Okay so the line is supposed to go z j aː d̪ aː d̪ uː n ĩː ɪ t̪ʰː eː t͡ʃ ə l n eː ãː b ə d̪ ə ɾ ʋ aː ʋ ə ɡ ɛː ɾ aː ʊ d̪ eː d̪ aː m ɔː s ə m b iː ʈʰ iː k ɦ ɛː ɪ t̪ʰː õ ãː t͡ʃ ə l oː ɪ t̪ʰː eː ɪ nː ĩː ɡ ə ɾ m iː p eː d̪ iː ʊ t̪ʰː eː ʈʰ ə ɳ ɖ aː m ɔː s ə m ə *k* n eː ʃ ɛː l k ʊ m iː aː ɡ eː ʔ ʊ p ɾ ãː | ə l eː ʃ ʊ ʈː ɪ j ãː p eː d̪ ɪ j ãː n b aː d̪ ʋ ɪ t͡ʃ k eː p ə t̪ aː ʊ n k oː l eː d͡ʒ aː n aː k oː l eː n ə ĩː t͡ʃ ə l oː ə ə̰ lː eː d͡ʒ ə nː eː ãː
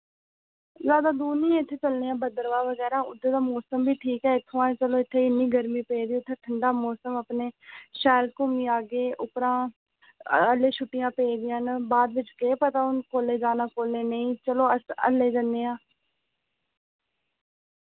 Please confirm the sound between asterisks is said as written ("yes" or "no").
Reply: no